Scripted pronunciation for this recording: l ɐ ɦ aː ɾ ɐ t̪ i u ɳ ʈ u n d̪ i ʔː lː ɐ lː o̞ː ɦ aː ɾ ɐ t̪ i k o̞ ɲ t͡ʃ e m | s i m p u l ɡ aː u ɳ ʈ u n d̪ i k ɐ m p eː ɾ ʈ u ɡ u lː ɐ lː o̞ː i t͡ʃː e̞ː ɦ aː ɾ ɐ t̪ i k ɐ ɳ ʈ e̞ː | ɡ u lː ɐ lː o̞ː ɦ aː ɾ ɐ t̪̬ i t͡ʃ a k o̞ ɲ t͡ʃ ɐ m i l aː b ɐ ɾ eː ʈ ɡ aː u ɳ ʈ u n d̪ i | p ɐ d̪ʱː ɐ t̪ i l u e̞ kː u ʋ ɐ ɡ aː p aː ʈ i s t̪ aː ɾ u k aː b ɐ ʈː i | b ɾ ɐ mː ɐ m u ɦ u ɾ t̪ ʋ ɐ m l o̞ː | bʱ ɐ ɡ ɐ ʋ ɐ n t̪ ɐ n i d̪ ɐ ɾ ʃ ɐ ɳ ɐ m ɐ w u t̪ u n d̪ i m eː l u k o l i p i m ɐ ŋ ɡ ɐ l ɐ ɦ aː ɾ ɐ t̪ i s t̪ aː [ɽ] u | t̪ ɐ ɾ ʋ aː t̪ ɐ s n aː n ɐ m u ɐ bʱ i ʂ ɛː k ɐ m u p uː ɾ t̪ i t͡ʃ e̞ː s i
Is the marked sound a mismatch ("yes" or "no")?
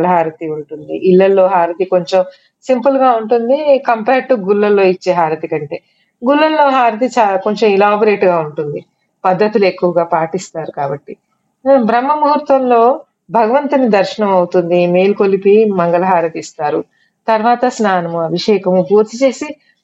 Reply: yes